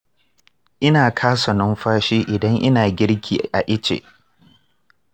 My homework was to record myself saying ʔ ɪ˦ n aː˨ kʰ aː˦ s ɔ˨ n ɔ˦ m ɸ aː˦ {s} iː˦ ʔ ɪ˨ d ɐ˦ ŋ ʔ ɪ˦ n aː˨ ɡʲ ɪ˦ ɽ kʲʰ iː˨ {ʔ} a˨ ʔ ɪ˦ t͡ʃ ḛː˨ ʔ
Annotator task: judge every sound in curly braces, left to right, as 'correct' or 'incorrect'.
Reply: incorrect: ʃ, correct

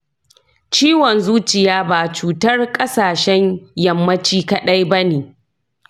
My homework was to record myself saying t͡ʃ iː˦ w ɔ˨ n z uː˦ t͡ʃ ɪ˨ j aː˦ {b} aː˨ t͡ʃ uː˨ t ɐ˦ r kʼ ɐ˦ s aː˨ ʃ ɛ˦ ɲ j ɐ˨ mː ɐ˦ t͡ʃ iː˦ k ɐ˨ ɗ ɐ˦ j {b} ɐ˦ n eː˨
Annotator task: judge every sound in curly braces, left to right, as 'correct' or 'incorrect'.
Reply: correct, correct

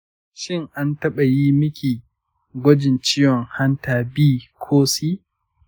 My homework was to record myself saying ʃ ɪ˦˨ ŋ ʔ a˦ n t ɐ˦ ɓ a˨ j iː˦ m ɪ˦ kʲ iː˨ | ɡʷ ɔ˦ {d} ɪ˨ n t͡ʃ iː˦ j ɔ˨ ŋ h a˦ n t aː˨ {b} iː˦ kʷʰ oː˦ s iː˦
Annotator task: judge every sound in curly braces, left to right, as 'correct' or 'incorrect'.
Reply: incorrect: d͡ʒ, correct

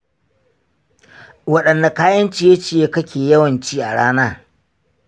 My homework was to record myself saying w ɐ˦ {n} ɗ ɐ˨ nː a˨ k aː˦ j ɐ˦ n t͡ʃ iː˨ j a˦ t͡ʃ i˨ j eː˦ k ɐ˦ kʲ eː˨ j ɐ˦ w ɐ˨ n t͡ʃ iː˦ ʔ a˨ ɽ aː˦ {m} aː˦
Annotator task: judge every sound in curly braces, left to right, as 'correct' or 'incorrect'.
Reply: incorrect: none, incorrect: n

